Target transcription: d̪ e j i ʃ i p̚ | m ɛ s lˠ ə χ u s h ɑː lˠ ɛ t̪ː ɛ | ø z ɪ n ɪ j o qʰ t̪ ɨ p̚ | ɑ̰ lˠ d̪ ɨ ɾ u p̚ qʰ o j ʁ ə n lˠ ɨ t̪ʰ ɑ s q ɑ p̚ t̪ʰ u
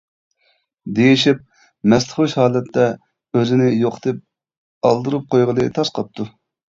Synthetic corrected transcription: d̪ e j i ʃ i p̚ | m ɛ s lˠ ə χ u ʃ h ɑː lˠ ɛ t̪ː ɛ | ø z ɪ n ɪ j o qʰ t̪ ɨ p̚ | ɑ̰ lˠ d̪ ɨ ɾ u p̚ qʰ o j ʁ ə lˠ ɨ t̪ʰ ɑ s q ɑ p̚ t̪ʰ u